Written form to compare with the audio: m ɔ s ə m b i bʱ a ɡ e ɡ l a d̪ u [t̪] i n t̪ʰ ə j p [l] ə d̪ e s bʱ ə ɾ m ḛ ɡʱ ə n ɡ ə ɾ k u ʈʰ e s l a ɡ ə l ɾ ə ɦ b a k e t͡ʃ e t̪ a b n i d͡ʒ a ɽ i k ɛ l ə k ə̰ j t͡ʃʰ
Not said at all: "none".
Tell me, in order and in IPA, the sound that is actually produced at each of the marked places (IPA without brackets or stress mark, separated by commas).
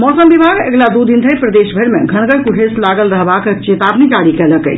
d̪, ɾ